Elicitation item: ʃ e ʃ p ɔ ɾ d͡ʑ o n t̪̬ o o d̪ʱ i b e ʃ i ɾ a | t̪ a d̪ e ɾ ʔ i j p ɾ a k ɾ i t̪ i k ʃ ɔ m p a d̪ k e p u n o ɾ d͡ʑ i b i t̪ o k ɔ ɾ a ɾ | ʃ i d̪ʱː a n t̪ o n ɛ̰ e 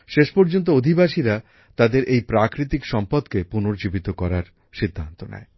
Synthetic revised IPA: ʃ e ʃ p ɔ ɾ d͡ʑ o n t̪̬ o o d̪ʱ i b a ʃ i ɾ a | t̪ a d̪ e ɾ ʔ e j p ɾ a k ɾ i t̪ i k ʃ ɔ m p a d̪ k e p u n o ɾ d͡ʑ i b i t̪ o k ɔ ɾ a ɾ | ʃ i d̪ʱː a n t̪ o n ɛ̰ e